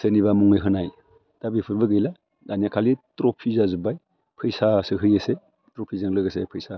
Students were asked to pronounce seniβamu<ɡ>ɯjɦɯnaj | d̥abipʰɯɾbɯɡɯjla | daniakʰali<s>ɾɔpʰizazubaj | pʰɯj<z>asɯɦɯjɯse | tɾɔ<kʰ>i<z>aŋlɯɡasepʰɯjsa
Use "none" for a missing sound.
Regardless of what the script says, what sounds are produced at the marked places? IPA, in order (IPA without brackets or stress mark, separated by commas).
ŋ, t, s, pʰ, z